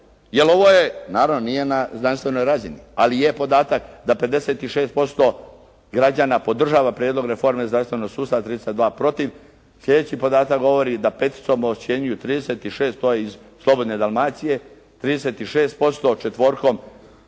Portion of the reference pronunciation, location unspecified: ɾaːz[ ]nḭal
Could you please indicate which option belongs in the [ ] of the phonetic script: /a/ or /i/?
i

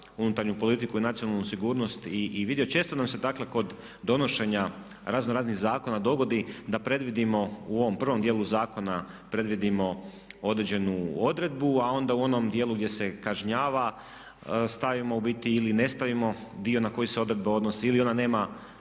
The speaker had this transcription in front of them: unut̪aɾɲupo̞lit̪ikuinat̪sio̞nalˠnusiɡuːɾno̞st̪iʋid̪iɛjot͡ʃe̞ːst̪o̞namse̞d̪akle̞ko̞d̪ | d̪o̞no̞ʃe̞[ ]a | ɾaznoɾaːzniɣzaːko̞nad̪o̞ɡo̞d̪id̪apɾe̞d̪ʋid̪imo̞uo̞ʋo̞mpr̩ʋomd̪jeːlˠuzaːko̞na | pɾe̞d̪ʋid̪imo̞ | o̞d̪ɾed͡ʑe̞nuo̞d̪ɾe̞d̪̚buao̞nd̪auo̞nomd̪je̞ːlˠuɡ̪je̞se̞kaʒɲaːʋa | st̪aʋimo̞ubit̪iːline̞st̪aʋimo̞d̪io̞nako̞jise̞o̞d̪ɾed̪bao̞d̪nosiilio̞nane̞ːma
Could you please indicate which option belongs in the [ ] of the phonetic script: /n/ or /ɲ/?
ɲ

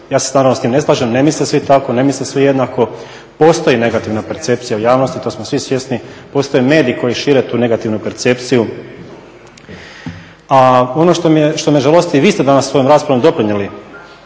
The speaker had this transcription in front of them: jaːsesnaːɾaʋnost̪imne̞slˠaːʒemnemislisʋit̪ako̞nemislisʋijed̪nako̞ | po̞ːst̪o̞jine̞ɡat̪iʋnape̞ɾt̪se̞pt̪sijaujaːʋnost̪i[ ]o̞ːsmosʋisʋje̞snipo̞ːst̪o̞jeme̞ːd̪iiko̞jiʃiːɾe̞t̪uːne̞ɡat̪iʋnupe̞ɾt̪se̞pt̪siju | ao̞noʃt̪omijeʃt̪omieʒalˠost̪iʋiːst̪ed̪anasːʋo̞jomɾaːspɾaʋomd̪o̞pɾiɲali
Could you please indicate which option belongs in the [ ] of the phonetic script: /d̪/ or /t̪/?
t̪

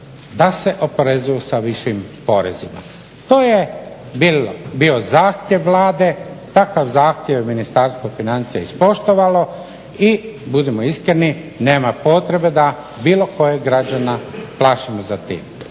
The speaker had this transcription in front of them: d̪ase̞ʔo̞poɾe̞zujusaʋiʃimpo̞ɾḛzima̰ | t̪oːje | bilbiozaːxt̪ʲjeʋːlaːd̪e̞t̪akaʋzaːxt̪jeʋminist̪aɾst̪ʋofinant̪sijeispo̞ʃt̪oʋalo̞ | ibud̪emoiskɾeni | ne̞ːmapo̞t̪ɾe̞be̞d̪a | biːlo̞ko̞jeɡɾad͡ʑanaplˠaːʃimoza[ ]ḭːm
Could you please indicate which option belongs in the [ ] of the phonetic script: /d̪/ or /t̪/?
t̪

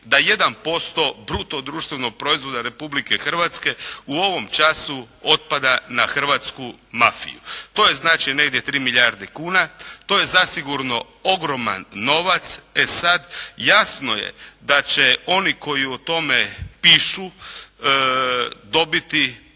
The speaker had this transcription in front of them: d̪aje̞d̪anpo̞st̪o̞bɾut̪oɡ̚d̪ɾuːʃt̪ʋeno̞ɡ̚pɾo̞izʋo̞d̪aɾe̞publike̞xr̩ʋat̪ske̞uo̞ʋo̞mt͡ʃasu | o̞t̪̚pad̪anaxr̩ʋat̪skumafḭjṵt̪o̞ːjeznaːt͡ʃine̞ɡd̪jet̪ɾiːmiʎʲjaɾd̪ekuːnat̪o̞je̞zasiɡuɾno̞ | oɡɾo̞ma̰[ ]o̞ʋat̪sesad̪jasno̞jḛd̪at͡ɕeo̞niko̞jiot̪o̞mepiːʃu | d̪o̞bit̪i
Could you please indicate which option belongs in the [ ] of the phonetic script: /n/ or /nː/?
nː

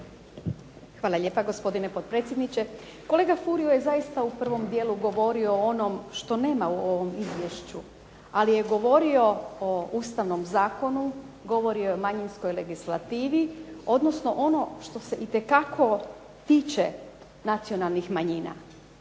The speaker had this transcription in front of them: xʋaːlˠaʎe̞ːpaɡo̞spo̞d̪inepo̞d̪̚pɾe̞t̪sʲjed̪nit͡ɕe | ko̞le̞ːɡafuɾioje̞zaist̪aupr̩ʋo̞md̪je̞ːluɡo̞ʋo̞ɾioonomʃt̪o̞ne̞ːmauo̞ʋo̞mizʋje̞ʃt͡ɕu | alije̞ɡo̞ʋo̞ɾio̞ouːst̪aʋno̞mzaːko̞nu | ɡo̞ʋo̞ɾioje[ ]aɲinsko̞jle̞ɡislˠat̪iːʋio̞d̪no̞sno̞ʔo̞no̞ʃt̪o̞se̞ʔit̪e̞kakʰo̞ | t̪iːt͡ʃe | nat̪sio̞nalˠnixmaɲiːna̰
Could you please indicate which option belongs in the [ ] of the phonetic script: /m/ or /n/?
m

